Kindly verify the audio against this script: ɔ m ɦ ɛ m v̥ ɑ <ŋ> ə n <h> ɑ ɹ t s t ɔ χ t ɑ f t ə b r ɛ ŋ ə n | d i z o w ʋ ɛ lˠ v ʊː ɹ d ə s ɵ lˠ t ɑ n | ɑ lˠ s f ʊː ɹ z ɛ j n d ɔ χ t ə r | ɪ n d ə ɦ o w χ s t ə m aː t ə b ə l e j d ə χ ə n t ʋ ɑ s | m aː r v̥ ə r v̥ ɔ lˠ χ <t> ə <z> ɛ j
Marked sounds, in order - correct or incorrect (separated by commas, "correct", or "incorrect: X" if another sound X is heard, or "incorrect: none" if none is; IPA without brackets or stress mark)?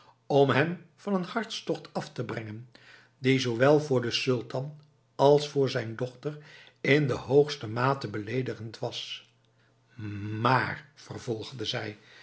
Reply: incorrect: n, correct, incorrect: d, correct